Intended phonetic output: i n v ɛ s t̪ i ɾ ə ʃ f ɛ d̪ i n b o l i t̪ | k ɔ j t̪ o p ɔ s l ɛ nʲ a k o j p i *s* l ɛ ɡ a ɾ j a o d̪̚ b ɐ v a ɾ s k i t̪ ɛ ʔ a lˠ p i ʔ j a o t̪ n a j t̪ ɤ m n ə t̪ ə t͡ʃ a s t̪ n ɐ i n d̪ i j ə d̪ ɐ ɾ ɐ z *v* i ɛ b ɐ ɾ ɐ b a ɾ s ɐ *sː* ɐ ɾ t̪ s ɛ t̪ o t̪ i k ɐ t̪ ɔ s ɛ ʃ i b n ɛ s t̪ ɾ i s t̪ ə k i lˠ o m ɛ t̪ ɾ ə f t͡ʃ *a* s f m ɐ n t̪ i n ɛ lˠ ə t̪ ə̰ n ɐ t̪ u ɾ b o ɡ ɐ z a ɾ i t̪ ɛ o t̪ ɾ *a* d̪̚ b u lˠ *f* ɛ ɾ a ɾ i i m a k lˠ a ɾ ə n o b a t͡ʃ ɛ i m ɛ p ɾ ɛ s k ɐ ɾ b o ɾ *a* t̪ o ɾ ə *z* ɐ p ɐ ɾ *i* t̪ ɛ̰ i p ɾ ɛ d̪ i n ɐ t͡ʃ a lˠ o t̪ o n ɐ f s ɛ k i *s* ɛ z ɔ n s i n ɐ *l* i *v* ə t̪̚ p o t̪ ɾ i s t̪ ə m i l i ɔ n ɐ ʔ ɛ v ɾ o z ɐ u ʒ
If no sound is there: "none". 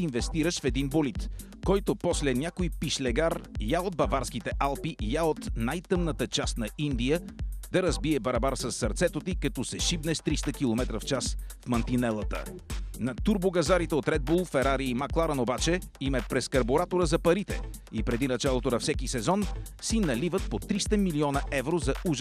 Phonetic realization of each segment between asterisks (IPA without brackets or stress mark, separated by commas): ʃ, b, sː, a, ɛ, f, a, z, i, s, l, v